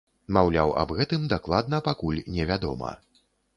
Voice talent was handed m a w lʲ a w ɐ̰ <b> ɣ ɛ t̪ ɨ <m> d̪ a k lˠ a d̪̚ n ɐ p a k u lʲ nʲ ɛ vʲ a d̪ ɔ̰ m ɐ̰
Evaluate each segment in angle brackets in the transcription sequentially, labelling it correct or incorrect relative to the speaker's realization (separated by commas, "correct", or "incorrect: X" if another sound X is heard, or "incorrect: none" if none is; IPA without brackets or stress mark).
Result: correct, correct